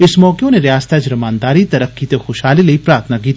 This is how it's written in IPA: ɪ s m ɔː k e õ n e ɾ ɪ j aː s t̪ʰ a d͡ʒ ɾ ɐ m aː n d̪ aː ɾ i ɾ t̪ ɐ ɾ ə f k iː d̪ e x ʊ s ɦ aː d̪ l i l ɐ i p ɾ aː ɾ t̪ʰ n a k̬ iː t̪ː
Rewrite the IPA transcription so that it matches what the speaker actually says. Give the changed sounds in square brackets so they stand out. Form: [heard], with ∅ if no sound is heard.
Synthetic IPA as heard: ɪ s m ɔː k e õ n e ɾ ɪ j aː s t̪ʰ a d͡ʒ ɾ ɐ m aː n d̪ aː ɾ i [∅] t̪ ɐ ɾ ə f k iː [t̪] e x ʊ [ʃ] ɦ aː [∅] l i l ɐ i p ɾ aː ɾ t̪ʰ n a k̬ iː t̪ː